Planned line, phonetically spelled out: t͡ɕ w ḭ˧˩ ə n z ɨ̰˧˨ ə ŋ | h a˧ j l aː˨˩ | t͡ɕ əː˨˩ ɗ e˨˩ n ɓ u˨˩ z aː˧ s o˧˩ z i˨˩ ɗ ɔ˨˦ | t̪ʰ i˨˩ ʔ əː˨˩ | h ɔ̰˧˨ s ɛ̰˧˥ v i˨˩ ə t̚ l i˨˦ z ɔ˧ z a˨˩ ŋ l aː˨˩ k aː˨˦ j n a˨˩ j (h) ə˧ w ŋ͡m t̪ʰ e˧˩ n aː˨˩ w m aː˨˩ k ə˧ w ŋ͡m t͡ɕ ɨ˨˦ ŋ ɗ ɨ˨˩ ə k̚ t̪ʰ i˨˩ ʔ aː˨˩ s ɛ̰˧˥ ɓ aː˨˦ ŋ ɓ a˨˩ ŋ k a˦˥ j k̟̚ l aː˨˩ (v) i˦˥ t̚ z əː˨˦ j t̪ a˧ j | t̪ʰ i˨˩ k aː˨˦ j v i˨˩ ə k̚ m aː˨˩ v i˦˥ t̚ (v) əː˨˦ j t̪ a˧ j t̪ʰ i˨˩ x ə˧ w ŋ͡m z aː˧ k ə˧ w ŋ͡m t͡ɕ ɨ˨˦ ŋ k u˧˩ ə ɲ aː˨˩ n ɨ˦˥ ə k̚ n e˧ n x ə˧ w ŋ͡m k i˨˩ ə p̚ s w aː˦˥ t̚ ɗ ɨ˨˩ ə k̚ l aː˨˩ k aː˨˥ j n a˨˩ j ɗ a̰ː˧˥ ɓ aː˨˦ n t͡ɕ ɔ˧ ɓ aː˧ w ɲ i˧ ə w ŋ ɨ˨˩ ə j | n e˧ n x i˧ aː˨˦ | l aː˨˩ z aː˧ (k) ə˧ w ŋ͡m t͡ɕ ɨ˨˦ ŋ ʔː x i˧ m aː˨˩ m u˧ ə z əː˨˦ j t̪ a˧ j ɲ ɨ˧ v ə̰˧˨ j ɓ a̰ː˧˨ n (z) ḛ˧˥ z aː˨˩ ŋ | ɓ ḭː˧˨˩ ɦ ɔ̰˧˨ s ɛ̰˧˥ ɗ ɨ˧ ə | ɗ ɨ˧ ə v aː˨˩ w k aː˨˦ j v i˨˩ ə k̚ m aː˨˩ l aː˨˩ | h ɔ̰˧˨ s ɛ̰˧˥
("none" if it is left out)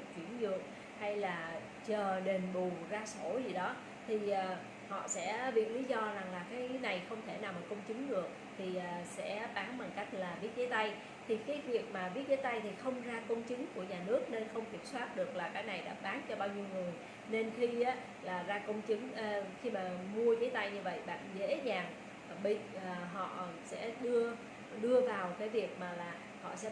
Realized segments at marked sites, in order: x, v, z, k, z

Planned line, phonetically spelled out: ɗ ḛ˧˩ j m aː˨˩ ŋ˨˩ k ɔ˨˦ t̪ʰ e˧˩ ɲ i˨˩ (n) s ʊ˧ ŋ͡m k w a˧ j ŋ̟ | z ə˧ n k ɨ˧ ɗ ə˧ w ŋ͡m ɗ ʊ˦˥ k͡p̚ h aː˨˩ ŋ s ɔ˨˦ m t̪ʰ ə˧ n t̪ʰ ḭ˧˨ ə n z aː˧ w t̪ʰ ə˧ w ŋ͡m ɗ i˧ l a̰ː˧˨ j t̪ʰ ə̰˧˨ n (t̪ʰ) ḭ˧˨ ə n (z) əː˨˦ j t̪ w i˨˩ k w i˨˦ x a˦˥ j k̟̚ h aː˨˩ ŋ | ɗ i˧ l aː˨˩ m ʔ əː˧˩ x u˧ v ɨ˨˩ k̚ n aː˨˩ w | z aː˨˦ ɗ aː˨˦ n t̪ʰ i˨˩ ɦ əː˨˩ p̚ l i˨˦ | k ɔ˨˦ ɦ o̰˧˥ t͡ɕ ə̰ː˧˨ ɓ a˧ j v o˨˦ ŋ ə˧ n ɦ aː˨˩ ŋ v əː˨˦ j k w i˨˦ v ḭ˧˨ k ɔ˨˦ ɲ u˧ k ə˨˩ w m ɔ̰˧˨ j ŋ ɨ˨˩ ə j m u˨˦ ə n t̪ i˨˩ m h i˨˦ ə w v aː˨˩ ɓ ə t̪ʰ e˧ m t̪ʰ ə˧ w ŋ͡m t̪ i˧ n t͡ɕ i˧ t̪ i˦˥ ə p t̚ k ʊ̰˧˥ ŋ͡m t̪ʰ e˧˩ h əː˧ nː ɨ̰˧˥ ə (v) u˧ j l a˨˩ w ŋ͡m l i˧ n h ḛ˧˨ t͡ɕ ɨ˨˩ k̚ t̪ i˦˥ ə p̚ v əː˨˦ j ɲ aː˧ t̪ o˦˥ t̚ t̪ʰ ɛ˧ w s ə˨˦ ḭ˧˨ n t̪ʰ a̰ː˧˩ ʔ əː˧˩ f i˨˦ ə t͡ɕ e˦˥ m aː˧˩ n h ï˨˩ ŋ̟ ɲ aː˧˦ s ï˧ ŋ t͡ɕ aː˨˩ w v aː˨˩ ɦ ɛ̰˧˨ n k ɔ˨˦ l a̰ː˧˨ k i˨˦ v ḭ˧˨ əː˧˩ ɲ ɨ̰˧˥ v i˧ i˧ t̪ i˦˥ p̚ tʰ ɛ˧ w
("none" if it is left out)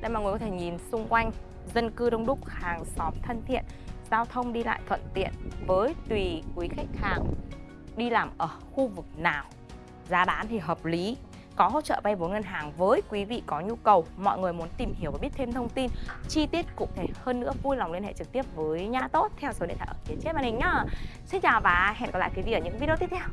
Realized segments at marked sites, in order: n, t̪, v, v

